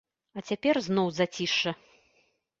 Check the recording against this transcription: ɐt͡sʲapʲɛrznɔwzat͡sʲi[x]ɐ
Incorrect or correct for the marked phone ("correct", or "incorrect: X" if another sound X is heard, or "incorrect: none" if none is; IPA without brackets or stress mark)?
incorrect: ʂ